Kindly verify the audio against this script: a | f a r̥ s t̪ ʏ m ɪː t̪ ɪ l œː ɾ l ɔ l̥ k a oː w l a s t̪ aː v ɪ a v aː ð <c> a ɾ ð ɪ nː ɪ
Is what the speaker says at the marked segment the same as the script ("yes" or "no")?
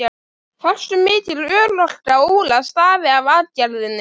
yes